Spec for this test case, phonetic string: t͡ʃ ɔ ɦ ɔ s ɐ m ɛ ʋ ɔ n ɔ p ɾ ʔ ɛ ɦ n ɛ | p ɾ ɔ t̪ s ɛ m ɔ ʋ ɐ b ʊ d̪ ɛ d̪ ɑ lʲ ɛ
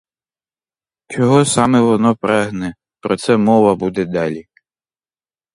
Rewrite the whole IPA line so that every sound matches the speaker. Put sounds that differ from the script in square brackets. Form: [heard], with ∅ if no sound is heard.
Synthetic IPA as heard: t͡ʃ ɔ ɦ ɔ s [ɑ] m ɛ ʋ ɔ n ɔ p ɾ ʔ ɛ ɦ n ɛ | p ɾ ɔ t̪ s ɛ m ɔ ʋ ɐ b [u] d̪ ɛ d̪ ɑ lʲ [i]

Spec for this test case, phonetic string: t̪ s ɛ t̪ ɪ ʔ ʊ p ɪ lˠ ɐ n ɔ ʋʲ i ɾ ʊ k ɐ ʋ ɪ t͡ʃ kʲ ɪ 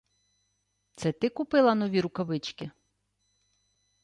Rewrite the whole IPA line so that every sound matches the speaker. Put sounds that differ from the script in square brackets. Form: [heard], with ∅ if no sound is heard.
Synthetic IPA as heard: t̪ s ɛ t̪ ɪ [k] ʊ p ɪ lˠ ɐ n ɔ ʋʲ i ɾ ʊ k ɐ ʋ ɪ t͡ʃ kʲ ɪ

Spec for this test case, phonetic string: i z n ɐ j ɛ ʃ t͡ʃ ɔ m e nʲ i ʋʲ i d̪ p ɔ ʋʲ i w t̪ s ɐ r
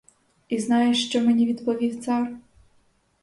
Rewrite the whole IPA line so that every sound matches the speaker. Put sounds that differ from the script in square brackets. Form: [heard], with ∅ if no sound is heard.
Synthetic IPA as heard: i z n [ɑ] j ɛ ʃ t͡ʃ ɔ m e nʲ i ʋʲ i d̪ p ɔ ʋʲ i w t̪ s [ɑ] r

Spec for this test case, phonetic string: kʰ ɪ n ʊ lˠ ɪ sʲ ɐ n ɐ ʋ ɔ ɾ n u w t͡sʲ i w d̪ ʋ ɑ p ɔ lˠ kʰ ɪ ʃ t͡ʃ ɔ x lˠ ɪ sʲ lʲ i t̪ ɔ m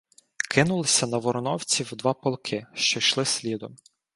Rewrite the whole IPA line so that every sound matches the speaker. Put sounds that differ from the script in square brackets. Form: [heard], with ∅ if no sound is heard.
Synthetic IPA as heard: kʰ ɪ n ʊ lˠ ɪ sʲ ɐ n ɐ ʋ ɔ ɾ n [ɔ] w t͡sʲ i w d̪ ʋ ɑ p ɔ lˠ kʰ ɪ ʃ t͡ʃ ɔ [ʃ] lˠ ɪ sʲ lʲ i [d̪] ɔ m

